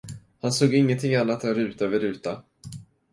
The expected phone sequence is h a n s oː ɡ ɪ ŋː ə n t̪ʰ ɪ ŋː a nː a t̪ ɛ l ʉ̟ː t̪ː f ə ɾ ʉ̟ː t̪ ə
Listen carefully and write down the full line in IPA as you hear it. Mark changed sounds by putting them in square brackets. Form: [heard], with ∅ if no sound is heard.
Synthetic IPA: h a n s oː ɡ ɪ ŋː ə n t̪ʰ ɪ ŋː a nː a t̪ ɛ [ɾ] ʉ̟ː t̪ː [v] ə ɾ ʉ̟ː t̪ [a]